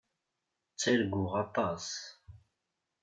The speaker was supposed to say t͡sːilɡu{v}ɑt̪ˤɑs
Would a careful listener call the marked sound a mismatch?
yes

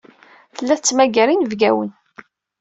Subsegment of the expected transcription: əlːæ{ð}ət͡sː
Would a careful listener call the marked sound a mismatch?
yes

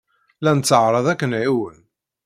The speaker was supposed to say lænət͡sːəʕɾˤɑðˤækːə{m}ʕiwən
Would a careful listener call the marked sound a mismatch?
yes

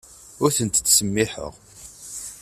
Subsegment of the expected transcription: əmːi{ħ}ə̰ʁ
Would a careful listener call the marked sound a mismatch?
no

